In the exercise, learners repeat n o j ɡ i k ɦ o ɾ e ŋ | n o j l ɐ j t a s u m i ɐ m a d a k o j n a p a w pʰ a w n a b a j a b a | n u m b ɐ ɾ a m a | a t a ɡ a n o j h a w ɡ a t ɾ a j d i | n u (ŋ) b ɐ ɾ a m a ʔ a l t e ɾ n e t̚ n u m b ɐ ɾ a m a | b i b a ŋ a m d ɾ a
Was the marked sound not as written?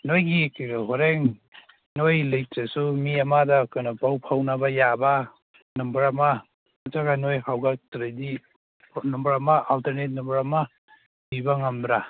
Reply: yes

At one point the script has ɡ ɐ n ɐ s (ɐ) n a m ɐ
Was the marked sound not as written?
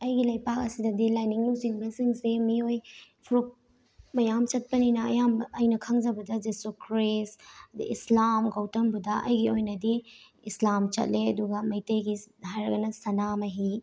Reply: no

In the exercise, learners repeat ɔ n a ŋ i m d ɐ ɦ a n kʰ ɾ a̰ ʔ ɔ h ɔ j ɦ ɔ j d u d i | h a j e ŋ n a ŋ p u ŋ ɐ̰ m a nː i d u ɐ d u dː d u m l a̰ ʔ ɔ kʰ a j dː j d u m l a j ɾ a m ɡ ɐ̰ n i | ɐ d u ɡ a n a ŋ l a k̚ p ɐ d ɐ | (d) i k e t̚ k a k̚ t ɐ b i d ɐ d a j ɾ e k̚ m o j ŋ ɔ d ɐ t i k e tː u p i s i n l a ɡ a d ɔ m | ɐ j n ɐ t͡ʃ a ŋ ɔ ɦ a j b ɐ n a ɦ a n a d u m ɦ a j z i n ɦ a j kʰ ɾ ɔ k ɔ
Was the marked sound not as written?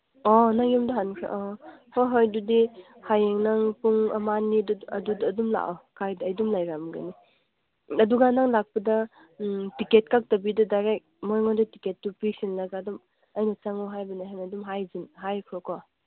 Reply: yes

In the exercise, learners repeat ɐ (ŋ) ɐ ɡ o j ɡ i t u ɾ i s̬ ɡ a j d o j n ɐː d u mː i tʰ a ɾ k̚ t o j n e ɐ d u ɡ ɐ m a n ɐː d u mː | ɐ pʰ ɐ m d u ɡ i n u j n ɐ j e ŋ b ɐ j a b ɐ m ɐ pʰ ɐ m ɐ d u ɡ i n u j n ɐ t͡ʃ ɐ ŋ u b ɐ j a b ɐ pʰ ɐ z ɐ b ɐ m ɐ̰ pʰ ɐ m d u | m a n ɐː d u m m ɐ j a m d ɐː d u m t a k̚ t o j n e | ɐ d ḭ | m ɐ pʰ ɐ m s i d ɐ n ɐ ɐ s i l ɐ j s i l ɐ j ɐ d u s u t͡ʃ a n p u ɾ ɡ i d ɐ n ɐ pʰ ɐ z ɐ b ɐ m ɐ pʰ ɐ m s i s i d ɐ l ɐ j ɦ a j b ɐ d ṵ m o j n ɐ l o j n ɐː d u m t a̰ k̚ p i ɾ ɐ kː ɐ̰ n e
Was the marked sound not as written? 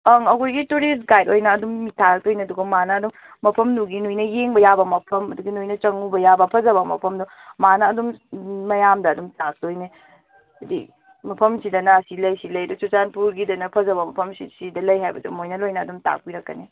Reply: no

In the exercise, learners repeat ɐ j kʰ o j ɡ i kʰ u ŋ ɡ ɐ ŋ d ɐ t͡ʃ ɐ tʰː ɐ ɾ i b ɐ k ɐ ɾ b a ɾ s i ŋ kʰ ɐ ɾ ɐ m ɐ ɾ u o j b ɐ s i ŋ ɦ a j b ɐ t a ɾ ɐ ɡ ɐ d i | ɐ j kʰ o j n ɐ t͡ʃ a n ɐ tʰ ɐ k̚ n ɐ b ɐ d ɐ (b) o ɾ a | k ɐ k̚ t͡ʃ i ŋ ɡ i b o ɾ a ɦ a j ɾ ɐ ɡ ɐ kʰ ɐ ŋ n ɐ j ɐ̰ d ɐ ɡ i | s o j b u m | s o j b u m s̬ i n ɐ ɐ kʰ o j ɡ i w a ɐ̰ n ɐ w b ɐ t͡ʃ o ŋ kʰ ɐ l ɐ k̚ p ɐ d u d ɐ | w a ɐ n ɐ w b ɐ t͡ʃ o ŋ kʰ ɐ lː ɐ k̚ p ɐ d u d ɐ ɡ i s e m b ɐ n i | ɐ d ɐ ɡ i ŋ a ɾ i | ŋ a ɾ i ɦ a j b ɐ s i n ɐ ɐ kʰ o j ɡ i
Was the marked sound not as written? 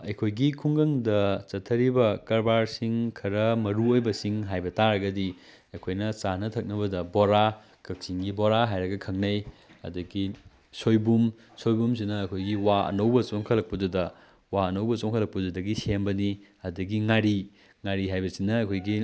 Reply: no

